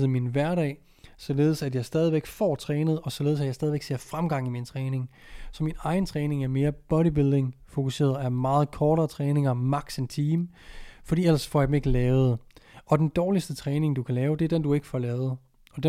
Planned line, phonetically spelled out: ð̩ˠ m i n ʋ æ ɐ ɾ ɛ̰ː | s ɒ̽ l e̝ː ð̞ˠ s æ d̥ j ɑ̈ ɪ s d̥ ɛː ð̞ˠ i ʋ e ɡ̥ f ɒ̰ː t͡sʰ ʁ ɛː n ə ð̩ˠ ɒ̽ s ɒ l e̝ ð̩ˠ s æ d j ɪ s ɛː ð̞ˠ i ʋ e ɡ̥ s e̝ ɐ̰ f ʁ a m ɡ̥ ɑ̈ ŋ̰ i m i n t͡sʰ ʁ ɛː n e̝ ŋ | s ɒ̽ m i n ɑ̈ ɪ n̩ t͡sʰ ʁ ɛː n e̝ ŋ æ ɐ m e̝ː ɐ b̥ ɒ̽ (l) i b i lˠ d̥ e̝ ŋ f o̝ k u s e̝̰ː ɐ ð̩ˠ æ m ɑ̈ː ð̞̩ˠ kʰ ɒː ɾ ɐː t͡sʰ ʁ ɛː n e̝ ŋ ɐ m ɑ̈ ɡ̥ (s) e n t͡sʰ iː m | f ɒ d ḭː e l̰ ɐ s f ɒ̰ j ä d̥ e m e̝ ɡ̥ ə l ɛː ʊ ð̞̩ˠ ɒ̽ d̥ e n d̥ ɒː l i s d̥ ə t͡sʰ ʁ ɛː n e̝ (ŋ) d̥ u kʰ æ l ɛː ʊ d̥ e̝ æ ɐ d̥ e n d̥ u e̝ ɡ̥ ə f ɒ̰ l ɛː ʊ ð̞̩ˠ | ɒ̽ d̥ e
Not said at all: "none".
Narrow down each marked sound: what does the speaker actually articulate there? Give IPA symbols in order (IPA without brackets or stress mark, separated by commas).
ɾ, s, ŋ